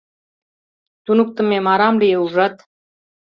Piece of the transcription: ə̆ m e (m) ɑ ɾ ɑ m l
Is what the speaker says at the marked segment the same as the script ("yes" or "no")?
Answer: yes